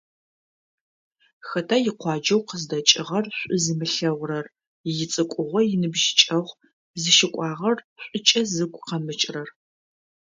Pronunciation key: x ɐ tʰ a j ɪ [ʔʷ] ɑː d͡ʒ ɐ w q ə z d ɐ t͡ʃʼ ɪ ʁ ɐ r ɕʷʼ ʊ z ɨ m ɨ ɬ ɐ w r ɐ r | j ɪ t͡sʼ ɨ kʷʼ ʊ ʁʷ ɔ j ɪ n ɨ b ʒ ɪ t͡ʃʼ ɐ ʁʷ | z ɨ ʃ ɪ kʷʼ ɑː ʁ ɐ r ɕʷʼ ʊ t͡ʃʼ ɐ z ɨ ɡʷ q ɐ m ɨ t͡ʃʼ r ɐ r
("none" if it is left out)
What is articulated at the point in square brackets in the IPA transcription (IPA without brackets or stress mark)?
qʷ